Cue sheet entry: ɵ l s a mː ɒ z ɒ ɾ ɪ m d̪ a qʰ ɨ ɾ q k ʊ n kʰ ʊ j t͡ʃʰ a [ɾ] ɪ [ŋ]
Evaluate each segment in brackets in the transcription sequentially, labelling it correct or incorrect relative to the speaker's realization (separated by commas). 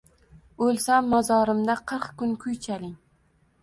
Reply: incorrect, correct